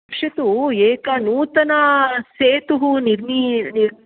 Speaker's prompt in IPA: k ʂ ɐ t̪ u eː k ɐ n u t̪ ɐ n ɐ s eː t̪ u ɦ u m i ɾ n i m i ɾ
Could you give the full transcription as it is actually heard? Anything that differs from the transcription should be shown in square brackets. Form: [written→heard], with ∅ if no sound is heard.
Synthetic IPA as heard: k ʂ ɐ t̪ u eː k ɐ n [u→uː] t̪ ɐ n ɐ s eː t̪ u ɦ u [m→n] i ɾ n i [m→n] i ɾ